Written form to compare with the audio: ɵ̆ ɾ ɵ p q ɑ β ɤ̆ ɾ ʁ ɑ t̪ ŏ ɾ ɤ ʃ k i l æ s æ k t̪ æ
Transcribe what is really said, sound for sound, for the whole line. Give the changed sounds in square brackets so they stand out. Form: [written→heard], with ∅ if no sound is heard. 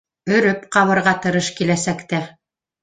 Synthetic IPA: ɵ̆ ɾ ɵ p q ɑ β ɤ̆ ɾ ʁ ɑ t̪ [ŏ→ɤ̆] ɾ ɤ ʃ k i l æ s æ k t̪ æ